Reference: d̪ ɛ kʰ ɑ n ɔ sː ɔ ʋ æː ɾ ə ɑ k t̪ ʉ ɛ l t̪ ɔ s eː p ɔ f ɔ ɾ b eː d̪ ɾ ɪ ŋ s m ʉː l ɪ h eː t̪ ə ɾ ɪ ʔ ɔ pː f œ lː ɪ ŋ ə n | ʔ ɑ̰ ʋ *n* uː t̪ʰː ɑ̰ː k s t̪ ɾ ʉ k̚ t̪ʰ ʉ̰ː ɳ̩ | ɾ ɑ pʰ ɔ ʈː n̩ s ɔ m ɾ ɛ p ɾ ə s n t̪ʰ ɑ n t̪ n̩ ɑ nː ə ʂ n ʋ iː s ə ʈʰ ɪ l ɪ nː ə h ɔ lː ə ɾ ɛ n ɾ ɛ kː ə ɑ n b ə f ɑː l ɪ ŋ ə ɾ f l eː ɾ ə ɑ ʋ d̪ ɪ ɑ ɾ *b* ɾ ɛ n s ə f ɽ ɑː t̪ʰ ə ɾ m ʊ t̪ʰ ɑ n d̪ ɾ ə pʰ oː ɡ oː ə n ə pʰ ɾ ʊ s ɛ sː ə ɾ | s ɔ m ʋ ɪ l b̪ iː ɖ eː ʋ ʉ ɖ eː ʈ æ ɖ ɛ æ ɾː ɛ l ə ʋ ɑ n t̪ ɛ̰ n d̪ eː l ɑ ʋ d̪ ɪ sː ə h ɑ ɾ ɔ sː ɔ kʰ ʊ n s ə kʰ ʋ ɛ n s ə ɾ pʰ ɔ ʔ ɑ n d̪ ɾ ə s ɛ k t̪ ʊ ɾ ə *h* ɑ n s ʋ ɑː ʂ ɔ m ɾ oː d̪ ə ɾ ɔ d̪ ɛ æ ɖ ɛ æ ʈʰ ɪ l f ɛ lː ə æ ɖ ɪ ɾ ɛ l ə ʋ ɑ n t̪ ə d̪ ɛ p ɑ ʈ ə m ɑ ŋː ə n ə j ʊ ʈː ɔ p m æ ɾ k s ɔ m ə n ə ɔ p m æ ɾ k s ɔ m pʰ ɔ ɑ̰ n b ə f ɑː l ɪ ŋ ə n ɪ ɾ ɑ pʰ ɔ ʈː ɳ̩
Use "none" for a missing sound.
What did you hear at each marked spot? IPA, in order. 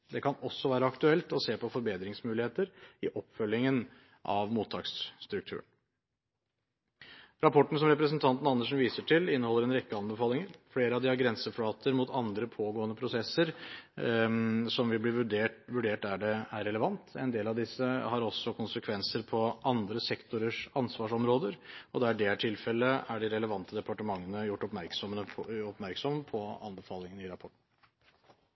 m, ɡ, ʂ

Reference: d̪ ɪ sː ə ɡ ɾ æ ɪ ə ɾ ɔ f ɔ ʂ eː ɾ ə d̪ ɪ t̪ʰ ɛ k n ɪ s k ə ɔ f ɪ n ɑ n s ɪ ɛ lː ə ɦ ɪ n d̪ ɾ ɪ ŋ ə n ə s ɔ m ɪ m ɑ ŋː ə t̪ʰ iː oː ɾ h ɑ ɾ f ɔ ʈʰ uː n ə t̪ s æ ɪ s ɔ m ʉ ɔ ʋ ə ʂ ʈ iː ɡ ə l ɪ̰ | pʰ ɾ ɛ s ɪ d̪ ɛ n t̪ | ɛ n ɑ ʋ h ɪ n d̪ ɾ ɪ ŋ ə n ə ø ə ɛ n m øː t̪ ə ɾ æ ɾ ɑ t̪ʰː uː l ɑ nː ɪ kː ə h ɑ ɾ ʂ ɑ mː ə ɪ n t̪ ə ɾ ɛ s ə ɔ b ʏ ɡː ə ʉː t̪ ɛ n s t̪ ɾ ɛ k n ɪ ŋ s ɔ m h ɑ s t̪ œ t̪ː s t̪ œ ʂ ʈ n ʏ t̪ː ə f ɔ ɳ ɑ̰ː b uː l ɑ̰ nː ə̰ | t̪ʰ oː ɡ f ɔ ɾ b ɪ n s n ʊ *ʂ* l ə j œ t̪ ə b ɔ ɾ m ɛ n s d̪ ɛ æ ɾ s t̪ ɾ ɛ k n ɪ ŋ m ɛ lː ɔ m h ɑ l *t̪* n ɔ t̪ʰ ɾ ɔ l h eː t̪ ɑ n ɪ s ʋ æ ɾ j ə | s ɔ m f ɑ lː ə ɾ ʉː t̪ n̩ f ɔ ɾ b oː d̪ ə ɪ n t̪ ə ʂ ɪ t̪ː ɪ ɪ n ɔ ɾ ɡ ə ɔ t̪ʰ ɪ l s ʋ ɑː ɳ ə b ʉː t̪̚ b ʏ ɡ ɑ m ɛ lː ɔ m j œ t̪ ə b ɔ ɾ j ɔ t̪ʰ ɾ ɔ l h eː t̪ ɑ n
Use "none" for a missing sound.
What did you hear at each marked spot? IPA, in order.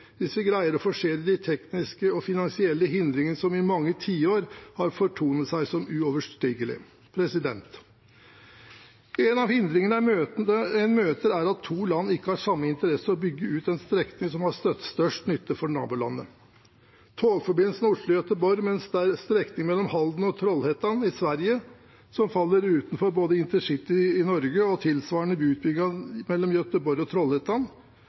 ʂ, d̪

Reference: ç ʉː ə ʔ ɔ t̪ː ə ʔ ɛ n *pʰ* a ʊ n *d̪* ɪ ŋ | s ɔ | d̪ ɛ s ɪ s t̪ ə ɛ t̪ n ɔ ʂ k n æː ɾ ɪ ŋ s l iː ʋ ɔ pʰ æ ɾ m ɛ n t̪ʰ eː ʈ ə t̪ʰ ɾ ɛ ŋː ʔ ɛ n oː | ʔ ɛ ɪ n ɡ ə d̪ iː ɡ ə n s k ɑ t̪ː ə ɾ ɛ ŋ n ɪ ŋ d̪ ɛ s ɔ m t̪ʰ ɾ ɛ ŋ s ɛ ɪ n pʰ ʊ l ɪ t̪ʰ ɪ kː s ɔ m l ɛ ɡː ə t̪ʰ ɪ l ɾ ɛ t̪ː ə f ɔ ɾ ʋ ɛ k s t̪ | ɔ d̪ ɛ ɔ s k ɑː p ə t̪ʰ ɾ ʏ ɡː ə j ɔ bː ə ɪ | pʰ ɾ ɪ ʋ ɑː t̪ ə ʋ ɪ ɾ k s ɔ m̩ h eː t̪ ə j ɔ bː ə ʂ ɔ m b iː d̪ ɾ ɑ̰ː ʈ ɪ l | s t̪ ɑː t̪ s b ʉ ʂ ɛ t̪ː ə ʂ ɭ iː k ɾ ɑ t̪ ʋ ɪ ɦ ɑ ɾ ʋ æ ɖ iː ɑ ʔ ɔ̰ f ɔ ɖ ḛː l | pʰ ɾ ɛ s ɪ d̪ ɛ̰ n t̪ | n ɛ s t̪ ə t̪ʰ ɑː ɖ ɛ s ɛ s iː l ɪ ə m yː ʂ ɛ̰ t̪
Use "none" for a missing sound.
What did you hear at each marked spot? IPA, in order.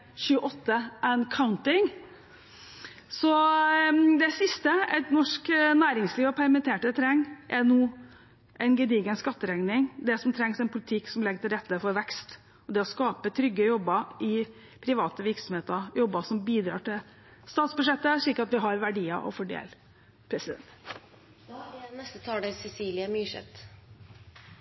kʰ, t̪

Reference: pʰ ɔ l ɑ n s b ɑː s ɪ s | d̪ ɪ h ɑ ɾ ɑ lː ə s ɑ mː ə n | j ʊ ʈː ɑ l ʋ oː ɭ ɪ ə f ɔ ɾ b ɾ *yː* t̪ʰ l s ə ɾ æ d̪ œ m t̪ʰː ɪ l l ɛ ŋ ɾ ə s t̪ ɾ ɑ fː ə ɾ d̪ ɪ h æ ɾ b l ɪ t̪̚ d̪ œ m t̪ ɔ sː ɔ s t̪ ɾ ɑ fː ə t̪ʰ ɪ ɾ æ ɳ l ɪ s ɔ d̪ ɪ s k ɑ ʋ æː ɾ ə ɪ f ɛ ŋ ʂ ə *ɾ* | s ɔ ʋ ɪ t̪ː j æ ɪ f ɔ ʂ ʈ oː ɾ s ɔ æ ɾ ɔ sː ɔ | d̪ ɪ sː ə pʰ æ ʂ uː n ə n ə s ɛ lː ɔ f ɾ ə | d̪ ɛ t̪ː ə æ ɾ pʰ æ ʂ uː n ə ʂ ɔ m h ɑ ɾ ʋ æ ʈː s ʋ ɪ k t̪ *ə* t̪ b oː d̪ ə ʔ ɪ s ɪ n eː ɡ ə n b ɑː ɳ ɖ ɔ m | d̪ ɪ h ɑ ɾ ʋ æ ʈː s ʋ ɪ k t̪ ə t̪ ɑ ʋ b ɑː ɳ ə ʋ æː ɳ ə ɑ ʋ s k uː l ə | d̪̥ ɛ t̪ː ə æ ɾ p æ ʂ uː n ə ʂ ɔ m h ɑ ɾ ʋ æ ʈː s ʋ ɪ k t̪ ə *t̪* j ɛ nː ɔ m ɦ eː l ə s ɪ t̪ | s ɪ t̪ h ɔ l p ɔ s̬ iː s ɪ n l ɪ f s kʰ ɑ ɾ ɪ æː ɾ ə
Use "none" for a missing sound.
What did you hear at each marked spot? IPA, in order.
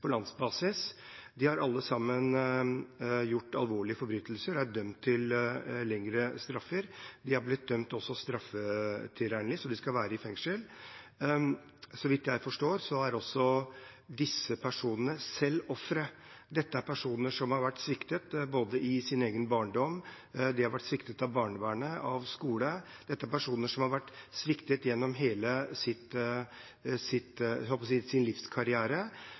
yː, l, ə, t̪

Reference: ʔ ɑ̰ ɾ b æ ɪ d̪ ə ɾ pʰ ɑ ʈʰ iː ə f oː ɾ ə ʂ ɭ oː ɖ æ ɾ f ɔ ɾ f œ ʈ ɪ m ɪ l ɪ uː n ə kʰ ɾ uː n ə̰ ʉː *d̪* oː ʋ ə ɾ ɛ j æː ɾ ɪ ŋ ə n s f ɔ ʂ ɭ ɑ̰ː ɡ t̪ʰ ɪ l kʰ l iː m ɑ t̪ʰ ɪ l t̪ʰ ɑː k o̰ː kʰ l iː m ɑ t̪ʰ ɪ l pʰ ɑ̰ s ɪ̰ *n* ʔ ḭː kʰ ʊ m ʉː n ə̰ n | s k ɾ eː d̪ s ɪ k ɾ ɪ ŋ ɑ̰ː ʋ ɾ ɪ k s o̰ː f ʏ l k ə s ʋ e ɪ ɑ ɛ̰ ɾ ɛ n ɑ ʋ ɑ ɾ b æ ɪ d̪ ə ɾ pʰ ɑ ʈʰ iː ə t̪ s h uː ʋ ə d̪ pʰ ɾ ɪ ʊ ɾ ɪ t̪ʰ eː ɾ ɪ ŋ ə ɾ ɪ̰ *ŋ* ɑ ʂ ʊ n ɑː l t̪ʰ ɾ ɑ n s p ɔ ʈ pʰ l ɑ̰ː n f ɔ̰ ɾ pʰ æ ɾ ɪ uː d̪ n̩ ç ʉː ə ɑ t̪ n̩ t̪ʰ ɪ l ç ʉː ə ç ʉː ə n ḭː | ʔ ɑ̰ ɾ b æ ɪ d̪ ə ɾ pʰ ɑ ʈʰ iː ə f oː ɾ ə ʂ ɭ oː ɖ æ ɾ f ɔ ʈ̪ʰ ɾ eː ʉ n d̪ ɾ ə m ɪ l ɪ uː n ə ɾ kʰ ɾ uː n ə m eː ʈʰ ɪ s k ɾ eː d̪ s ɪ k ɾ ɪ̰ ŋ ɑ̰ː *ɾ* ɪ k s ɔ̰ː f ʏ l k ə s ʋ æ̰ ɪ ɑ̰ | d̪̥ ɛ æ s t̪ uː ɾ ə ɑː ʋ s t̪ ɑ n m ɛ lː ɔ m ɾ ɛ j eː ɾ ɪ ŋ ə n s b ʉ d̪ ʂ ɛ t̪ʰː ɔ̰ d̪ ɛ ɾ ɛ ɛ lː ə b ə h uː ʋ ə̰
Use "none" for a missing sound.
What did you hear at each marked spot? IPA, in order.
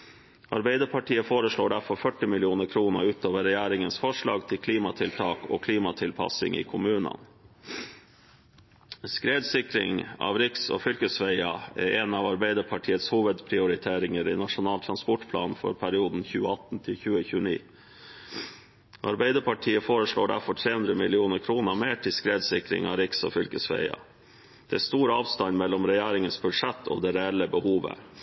t̪, ŋ, n, ɾ

